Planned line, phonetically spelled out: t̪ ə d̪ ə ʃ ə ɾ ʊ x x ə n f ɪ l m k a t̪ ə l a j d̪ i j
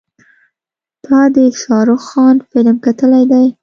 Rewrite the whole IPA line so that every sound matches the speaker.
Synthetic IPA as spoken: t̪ ɑ d̪ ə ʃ ɑ ɾ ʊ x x ɑ n f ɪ l m k a t̪ ə l a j d̪ a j

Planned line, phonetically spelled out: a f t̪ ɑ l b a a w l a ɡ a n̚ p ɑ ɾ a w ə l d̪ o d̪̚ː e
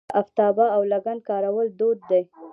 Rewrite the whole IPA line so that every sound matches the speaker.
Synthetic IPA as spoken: a f t̪ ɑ b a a w l a ɡ a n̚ k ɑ ɾ a w ə l d̪ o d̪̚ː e

